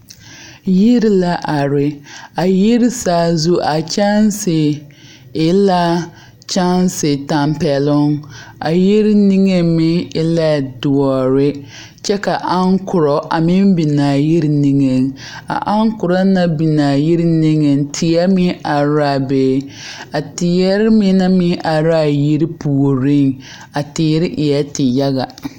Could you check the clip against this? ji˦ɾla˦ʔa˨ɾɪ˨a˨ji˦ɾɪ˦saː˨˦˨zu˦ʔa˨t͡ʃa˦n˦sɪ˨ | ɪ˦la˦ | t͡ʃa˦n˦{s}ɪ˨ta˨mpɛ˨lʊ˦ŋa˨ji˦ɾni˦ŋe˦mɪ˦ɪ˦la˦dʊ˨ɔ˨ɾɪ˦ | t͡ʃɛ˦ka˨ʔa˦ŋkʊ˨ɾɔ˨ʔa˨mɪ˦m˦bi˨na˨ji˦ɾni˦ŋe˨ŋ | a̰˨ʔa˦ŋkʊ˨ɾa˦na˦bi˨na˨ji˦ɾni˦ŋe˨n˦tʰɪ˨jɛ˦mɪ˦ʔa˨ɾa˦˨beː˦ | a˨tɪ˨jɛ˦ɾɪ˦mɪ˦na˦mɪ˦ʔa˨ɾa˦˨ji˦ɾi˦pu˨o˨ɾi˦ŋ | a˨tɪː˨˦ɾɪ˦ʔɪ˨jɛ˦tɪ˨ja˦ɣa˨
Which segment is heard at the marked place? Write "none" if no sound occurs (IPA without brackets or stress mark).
s